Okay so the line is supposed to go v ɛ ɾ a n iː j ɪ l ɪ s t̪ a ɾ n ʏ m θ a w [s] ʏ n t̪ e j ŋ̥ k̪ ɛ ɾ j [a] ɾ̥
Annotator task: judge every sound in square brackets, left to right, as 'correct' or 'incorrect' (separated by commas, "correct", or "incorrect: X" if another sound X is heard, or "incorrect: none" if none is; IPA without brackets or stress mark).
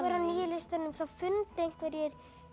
incorrect: f, incorrect: ɛ